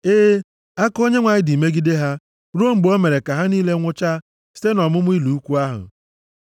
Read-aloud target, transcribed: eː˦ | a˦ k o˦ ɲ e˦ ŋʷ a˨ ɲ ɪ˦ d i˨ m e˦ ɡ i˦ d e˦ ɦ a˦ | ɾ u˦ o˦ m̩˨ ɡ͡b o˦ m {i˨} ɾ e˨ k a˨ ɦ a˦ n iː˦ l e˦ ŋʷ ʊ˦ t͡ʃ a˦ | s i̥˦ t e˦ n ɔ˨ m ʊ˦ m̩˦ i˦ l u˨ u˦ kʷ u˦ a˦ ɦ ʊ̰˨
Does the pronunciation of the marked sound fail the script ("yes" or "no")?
yes